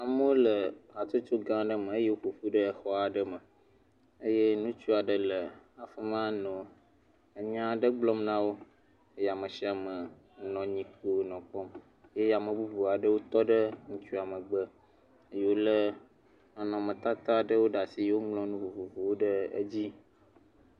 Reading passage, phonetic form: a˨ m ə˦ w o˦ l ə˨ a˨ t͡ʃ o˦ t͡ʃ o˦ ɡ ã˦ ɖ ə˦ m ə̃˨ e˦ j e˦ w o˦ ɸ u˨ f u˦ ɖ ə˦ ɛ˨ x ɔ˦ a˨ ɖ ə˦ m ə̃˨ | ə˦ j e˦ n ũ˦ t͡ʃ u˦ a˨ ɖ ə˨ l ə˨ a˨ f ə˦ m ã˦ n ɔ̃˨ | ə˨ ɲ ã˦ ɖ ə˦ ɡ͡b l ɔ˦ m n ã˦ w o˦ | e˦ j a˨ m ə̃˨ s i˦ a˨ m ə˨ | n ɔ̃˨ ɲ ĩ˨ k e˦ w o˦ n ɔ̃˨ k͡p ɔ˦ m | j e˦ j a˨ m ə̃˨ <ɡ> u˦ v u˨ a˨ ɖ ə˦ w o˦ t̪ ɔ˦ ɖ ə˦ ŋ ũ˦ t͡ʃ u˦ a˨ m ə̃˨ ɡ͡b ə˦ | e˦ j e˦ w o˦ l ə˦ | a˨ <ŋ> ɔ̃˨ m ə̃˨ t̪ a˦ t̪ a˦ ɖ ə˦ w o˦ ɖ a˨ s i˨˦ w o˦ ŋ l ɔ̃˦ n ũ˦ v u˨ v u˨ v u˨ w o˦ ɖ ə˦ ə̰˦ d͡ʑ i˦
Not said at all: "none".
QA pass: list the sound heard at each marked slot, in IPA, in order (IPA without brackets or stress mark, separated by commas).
b, n